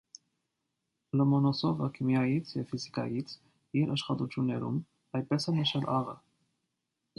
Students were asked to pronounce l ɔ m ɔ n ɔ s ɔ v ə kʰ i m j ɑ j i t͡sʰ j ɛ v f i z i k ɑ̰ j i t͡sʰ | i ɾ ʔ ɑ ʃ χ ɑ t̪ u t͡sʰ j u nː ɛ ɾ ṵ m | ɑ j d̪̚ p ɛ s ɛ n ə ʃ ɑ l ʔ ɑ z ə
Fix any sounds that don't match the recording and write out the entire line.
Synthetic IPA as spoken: l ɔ m ɔ n ɔ s ɔ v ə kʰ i m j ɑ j i t͡sʰ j ɛ v f i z i k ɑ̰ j i t͡sʰ | i ɾ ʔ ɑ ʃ χ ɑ t̪ u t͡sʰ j u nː ɛ ɾ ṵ m | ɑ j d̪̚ p ɛ s ɛ n ə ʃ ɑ l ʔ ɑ ʁ ə